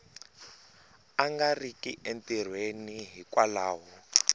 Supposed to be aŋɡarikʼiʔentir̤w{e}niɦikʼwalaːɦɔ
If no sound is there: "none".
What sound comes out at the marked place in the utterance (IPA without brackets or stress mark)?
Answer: e